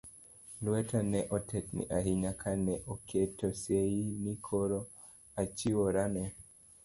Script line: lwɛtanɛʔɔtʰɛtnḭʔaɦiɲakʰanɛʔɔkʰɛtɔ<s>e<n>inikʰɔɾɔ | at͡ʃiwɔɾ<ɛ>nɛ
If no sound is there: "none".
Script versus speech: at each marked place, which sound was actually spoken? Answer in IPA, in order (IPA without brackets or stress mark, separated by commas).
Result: s, none, a